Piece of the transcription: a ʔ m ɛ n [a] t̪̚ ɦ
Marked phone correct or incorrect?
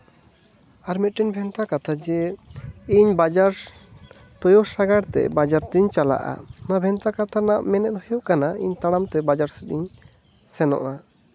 incorrect